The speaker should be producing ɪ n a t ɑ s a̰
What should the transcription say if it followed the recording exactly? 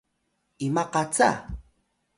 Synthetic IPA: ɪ m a q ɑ t͡s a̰